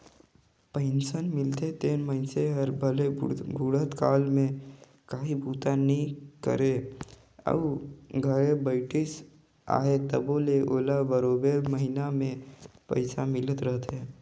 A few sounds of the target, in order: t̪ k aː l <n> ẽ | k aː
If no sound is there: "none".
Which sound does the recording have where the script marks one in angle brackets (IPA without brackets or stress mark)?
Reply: m